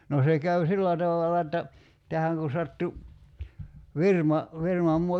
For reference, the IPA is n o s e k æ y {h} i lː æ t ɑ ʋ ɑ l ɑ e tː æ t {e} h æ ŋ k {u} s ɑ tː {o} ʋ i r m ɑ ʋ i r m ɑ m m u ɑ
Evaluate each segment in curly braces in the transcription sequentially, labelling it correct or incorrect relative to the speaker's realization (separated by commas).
incorrect, incorrect, correct, incorrect